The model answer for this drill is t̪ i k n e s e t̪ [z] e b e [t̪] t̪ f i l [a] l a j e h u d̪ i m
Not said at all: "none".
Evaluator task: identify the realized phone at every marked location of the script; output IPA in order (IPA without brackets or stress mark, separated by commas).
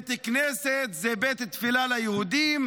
z, t̪, a